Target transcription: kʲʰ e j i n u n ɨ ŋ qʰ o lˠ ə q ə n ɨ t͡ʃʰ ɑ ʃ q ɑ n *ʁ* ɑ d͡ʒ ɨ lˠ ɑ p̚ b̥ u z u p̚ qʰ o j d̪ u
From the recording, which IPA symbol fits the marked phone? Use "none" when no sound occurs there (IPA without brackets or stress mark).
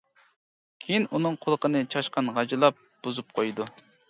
ʁ